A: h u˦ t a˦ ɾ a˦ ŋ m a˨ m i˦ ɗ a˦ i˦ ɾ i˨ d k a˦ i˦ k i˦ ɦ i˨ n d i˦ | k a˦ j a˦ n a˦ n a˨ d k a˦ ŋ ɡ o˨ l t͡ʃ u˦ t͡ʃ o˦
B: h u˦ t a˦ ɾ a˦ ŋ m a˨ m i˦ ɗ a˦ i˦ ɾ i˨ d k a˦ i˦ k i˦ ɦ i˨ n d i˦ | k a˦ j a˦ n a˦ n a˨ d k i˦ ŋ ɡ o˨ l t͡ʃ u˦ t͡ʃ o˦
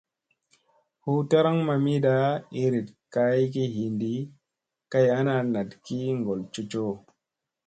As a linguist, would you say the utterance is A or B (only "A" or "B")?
B